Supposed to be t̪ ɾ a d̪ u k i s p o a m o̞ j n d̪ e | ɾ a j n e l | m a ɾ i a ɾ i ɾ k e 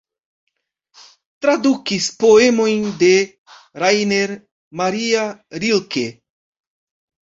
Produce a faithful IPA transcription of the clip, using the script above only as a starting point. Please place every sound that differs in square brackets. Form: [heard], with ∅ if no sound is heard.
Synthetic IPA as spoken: t̪ ɾ a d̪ u k i s p o [e] m o̞ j n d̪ e | ɾ a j n e [ɾ] | m a ɾ i a ɾ i [l] k e